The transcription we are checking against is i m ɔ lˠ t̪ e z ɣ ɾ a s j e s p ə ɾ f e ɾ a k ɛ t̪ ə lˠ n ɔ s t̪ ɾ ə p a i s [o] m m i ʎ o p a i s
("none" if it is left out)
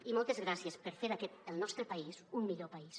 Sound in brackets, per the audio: u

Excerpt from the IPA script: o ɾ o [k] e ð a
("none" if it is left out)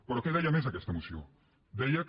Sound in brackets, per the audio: k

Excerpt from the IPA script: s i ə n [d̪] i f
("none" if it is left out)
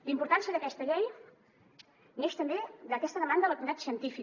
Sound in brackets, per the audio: t̪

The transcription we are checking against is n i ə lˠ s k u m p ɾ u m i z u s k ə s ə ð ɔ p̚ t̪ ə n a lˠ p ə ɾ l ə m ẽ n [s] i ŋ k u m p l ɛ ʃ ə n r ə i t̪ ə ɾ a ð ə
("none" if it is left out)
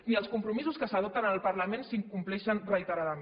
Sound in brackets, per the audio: s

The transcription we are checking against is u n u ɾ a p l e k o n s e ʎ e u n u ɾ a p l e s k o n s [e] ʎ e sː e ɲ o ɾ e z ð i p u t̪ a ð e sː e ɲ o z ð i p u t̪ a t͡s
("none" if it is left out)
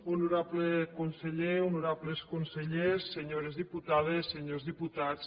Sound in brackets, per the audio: e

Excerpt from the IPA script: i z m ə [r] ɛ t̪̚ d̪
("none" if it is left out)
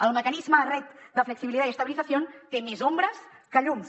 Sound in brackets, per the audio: r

